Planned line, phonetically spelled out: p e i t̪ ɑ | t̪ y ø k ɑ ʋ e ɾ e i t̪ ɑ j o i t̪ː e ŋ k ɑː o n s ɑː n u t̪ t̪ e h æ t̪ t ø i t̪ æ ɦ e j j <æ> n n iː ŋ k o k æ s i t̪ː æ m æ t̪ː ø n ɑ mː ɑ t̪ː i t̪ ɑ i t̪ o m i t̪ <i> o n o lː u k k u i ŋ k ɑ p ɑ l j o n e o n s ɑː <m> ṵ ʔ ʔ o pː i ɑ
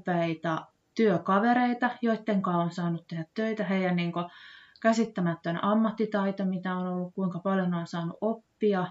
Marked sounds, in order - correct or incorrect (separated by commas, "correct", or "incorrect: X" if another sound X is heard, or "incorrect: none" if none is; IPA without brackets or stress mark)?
correct, incorrect: æ, incorrect: n